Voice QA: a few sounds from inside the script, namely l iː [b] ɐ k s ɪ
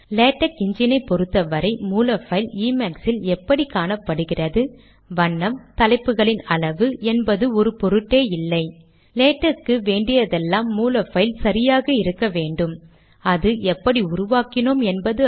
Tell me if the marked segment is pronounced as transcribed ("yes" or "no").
no